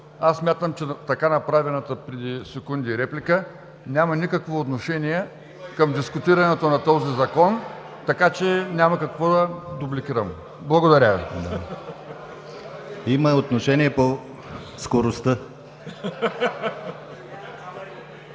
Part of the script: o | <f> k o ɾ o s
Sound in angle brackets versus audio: incorrect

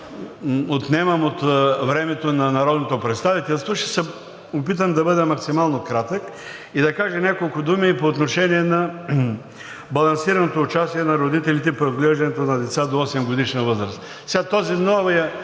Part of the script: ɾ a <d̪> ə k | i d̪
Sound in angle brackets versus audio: incorrect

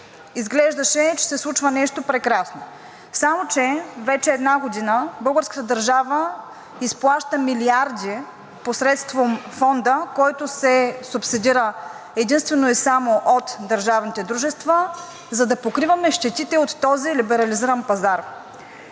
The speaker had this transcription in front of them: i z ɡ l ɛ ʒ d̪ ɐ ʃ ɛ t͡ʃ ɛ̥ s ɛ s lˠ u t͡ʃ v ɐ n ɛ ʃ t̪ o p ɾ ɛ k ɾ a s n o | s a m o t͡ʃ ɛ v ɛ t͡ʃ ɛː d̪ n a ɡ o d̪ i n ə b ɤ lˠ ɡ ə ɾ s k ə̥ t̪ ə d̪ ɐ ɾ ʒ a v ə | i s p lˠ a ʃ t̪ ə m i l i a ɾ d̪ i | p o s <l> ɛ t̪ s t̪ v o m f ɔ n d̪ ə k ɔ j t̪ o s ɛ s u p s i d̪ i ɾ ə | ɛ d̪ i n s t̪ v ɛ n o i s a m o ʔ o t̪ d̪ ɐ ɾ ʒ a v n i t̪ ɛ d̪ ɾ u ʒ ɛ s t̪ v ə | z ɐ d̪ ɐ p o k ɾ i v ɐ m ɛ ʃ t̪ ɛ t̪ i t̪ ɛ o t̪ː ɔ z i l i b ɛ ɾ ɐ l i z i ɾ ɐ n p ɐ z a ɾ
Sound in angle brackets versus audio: incorrect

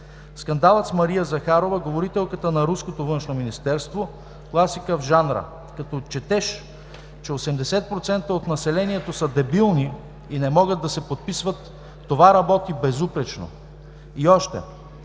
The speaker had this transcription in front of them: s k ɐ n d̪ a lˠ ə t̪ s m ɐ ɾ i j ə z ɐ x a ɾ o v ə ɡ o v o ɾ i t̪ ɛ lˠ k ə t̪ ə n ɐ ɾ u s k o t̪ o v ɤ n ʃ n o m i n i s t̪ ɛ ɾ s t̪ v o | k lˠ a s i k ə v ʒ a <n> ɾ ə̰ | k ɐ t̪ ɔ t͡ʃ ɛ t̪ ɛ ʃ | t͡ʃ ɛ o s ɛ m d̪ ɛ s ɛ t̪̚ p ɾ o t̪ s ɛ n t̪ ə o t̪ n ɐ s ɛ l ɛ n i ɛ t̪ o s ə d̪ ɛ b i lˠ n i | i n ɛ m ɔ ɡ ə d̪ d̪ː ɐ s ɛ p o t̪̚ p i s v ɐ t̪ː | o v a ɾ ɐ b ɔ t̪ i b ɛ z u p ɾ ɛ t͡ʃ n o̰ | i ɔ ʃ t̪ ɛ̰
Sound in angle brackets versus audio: correct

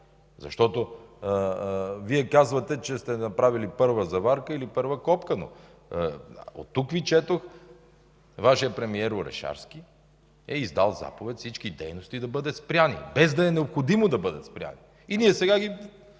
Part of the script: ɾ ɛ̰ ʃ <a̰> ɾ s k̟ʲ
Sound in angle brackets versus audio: correct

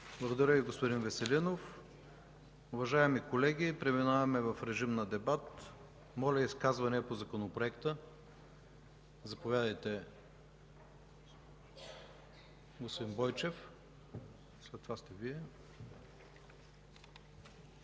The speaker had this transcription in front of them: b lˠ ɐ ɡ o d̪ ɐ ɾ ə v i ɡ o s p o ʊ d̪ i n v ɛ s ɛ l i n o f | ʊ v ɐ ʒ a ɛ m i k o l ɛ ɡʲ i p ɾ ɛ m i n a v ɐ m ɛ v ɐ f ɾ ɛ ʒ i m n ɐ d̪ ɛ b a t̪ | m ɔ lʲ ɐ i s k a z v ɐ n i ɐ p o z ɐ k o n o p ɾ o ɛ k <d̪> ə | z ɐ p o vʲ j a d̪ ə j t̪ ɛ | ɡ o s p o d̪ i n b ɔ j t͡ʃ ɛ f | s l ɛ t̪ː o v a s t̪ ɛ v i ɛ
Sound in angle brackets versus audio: incorrect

